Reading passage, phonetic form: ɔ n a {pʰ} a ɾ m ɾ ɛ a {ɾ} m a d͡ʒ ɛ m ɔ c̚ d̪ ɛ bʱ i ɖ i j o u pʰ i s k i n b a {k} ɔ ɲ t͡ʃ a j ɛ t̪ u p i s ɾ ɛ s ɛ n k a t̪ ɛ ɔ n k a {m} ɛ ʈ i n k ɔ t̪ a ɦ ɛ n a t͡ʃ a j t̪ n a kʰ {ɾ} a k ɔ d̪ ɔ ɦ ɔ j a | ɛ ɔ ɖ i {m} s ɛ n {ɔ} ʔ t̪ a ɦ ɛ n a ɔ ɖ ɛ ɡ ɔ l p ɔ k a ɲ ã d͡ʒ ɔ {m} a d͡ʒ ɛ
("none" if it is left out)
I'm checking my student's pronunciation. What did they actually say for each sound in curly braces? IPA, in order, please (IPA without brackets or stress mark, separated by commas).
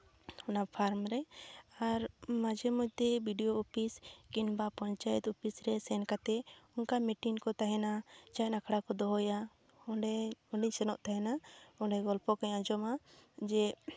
pʰ, ɾ, p, m, ɽ, ɲ, ɔ, m